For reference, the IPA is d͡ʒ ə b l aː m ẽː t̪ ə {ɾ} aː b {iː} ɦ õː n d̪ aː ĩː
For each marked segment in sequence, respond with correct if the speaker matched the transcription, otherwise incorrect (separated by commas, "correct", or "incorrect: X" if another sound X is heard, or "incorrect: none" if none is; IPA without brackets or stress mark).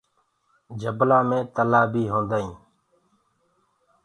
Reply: incorrect: l, correct